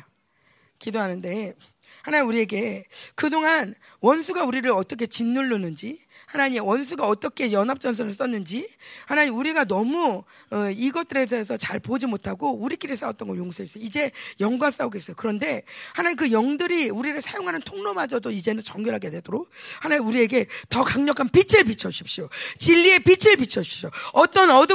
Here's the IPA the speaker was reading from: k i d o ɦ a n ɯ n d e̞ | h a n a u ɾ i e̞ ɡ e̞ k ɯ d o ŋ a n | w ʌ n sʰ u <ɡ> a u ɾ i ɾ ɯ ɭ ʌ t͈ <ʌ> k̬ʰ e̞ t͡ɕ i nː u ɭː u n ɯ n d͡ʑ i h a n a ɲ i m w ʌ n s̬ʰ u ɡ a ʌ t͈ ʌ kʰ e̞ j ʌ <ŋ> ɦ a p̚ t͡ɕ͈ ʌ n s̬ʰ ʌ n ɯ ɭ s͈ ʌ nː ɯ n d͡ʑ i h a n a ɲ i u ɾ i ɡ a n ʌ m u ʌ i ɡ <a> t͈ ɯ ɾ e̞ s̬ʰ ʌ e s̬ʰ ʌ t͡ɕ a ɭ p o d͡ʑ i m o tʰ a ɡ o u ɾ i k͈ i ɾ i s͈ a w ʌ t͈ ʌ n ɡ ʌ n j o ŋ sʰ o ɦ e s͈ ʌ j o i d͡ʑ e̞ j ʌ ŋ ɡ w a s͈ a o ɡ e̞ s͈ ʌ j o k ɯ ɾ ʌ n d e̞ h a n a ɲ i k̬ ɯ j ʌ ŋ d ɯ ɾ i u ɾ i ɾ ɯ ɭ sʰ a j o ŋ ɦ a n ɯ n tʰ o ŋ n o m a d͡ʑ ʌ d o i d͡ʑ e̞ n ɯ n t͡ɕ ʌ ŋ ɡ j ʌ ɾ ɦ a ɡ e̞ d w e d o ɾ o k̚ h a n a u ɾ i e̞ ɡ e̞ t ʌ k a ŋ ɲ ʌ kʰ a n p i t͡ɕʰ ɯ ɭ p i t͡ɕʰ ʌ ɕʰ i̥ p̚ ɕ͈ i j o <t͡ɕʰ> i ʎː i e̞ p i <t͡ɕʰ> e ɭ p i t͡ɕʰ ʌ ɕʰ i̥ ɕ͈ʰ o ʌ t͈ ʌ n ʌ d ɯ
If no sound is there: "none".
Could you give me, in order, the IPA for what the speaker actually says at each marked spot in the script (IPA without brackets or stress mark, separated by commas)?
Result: ɡ, ʌ, n, ʌ, t͡ɕ, t͡ɕʰ